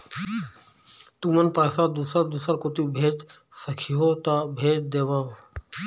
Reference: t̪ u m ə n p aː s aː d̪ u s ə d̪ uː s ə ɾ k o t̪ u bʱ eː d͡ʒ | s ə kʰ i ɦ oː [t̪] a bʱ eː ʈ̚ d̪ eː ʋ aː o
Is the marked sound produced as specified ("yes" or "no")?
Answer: yes